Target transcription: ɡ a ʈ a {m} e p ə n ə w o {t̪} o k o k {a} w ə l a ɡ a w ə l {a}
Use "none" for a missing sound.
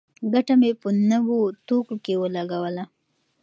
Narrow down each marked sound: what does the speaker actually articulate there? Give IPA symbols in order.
m, t̪, e, a

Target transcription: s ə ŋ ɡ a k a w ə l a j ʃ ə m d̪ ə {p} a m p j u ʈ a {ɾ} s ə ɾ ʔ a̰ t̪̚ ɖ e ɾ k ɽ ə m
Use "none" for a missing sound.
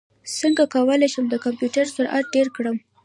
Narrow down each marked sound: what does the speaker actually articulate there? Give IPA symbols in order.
k, ɾ

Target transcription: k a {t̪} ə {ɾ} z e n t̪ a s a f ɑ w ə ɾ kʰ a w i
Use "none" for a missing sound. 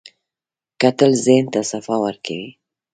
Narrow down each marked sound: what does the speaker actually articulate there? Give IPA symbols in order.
t̪, l

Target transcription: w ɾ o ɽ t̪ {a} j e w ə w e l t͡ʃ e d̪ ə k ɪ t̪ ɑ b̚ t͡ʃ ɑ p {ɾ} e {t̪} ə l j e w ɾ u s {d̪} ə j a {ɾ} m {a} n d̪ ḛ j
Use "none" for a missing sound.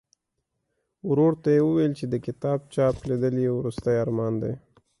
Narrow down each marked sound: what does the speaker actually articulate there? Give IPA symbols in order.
a, l, d̪, t̪, ɾ, ɑ

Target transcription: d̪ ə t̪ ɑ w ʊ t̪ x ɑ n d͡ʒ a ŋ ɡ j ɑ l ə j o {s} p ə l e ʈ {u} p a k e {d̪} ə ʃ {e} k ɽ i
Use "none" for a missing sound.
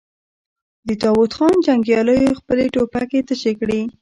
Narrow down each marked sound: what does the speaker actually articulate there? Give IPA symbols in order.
x, o, t̪, e

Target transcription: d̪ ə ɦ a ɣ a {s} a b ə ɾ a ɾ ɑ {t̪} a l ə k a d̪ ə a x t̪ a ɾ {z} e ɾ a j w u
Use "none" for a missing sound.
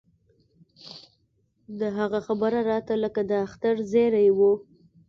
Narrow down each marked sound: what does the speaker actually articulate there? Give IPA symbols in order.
x, t̪, z

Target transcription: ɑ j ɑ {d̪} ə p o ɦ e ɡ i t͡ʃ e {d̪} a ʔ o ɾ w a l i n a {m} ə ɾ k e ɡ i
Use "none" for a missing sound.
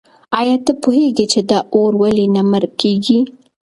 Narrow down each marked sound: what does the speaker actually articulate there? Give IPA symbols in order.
t̪, d̪, m

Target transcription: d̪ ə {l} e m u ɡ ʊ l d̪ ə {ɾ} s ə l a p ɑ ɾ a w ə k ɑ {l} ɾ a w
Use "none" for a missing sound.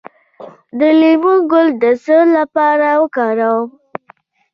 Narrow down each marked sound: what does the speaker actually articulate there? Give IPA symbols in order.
l, none, none

